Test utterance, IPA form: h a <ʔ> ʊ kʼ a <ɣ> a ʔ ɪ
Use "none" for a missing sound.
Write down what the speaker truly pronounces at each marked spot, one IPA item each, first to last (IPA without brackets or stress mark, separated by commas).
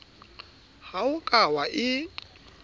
none, w